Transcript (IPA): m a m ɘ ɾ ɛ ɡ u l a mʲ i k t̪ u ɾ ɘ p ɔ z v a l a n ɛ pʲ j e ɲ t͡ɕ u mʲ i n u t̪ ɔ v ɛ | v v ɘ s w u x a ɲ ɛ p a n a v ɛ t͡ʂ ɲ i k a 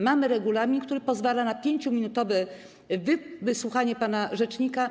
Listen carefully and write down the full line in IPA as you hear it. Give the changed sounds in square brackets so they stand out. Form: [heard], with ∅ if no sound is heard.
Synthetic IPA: m a m ɘ ɾ ɛ ɡ u l a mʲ i k t̪ u ɾ ɘ p ɔ z v a l a n [a] pʲ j e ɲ t͡ɕ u mʲ i n u t̪ ɔ v ɛ | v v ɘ s w u x a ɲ ɛ p a n a [ʐ] ɛ t͡ʂ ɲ i k a